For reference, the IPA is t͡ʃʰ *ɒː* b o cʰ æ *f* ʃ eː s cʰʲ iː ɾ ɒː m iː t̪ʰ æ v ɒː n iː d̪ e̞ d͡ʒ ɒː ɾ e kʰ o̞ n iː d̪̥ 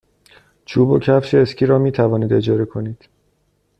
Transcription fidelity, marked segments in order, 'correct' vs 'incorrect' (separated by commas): incorrect, correct